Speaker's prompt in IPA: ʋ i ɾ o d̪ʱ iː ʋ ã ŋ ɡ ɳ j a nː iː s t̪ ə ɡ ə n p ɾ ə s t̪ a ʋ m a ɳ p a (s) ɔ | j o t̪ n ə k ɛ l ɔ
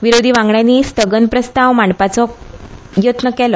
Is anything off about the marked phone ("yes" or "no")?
yes